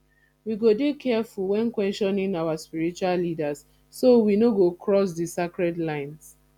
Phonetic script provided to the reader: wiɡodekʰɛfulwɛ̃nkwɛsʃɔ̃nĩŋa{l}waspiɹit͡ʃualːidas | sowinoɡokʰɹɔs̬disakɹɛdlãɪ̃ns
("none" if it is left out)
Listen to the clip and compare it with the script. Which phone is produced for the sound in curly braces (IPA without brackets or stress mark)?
none